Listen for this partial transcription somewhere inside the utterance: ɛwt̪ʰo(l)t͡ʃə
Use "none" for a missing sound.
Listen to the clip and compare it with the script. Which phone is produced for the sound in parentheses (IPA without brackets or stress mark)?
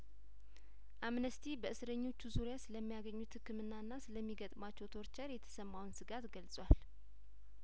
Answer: ɾ